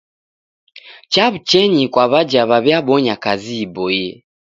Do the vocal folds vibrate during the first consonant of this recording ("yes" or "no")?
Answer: no